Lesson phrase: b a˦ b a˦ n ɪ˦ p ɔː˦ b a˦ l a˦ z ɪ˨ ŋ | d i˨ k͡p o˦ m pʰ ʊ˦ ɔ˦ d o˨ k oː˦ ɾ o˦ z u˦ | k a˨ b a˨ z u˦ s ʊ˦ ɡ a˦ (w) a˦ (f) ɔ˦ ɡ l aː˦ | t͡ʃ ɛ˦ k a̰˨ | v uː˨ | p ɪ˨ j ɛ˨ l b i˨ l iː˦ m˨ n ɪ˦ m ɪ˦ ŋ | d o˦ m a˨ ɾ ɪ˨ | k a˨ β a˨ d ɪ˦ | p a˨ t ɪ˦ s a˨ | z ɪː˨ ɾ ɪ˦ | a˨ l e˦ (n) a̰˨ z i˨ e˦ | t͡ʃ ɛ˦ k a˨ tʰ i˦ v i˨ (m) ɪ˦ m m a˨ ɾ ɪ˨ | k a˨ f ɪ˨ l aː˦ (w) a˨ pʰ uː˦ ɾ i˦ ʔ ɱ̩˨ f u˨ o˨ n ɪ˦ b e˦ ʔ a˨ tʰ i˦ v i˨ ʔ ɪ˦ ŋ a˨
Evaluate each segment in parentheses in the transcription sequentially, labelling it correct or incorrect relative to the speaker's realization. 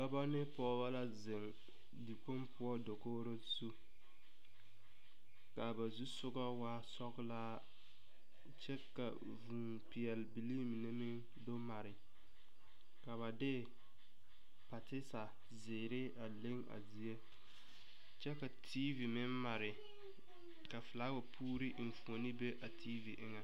correct, incorrect: s, incorrect: ŋ, correct, correct

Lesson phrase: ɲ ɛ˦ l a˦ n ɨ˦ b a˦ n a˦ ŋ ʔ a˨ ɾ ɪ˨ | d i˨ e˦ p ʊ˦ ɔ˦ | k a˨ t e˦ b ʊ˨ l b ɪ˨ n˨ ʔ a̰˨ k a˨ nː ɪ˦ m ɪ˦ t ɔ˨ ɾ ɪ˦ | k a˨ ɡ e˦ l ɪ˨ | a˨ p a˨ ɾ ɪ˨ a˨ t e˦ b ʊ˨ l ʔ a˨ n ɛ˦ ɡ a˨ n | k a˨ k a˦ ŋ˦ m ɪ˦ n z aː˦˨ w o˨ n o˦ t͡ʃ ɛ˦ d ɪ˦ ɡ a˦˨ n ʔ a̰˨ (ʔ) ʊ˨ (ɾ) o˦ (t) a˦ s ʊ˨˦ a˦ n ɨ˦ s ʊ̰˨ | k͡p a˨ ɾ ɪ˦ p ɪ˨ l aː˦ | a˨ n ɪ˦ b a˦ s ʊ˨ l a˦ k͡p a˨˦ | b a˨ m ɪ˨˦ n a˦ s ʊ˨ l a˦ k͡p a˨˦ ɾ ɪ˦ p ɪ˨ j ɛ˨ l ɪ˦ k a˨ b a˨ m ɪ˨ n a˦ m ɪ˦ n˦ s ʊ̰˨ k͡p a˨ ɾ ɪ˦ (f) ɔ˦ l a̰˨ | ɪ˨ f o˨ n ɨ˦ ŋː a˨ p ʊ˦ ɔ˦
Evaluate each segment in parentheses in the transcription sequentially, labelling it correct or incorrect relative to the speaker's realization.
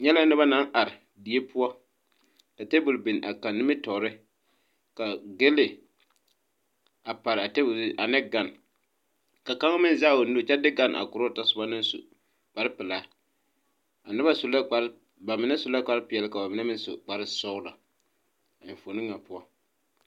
incorrect: k, correct, correct, incorrect: s

